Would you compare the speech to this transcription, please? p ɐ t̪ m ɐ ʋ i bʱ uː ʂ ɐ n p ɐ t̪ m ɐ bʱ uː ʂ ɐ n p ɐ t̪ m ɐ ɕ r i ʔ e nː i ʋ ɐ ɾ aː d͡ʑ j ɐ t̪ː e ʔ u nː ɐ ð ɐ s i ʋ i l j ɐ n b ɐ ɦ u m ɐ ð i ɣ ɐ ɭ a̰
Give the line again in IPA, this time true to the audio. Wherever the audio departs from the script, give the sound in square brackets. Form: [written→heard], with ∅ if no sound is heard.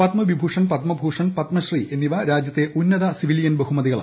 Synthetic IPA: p ɐ t̪ m ɐ ʋ i bʱ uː ʂ ɐ n p ɐ t̪ m ɐ bʱ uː ʂ ɐ n p ɐ t̪ m ɐ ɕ r i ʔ e nː i ʋ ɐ ɾ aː d͡ʑ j ɐ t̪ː e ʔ u nː ɐ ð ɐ s i ʋ i l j ɐ n b ɐ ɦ u m ɐ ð i ɣ ɐ ɭ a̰